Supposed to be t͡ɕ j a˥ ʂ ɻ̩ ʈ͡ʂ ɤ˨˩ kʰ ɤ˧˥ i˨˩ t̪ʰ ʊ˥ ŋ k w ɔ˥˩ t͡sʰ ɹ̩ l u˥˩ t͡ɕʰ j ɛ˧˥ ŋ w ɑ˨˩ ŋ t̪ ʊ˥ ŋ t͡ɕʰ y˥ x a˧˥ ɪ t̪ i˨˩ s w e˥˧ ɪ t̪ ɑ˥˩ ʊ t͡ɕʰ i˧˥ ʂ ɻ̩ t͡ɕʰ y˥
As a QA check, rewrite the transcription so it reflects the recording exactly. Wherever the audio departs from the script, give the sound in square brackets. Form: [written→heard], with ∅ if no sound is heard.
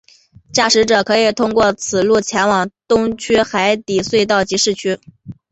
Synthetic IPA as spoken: t͡ɕ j [a˥→a˥˩] ʂ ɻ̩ ʈ͡ʂ ɤ˨˩ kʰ ɤ˧˥ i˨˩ t̪ʰ ʊ˥ ŋ k w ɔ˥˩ t͡sʰ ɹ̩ l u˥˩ t͡ɕʰ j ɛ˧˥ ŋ w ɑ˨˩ ŋ t̪ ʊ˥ ŋ t͡ɕʰ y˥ x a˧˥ ɪ t̪ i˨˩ s w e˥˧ ɪ t̪ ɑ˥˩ ʊ [t͡ɕʰ→t͡ɕ] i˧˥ ʂ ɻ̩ t͡ɕʰ y˥